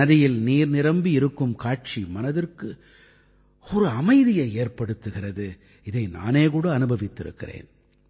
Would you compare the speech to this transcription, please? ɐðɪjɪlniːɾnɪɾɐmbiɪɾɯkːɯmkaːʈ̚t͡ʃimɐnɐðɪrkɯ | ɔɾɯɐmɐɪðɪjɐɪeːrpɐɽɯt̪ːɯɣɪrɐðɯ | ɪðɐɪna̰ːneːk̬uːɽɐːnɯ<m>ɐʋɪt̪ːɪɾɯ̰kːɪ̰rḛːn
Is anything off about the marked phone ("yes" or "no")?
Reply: yes